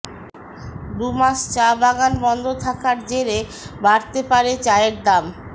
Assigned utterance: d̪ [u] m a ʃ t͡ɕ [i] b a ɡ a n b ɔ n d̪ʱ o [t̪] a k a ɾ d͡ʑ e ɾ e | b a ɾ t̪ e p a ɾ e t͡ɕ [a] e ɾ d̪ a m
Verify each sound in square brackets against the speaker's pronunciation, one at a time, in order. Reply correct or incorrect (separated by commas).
correct, incorrect, incorrect, correct